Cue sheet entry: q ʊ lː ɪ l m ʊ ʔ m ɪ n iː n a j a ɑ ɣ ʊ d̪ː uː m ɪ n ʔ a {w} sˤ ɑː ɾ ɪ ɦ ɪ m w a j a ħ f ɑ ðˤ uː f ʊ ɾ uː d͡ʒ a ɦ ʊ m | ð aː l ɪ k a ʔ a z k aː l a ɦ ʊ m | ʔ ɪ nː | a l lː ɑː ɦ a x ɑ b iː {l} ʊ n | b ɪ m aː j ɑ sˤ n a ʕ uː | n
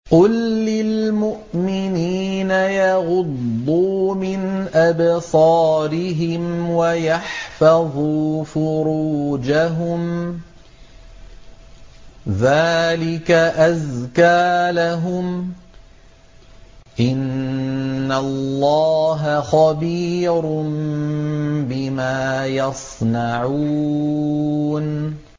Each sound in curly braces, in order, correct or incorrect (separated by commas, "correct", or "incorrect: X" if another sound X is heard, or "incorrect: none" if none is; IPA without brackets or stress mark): incorrect: b, incorrect: ɾ